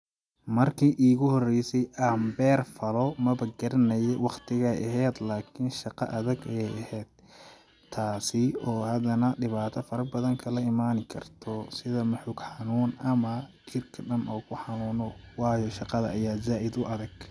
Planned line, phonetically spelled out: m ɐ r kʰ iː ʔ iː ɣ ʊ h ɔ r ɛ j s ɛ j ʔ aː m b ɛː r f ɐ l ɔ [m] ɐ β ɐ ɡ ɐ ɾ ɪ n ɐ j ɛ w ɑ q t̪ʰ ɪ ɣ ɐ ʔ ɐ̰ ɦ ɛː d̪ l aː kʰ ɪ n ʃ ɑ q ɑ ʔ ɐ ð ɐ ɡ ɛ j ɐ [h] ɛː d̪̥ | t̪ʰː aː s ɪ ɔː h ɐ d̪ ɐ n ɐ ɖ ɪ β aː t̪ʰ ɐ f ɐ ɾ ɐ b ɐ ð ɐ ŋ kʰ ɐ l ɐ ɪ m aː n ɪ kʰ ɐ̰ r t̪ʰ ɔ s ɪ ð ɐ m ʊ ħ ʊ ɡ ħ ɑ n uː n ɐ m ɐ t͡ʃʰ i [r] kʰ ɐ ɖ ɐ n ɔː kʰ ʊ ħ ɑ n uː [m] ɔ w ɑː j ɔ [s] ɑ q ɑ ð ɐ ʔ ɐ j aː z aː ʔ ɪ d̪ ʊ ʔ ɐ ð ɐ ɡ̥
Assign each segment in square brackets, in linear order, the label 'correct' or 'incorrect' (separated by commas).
correct, correct, correct, incorrect, incorrect